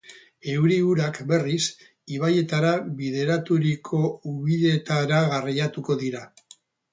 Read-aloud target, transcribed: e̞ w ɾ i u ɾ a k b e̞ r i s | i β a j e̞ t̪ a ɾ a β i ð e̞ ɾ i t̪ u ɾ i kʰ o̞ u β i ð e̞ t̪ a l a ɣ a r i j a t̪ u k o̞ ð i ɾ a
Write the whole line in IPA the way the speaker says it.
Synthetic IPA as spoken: e̞ w ɾ i u ɾ a k b e̞ r i s | i β a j e̞ t̪ a ɾ a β i ð e̞ ɾ a t̪ u ɾ i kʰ o̞ u β i ð e̞ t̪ a ɾ a ɣ a r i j a t̪ u k o̞ ð i ɾ a